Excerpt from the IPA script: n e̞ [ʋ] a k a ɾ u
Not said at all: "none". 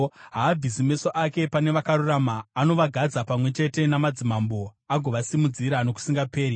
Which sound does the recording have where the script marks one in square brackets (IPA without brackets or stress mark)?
ʋ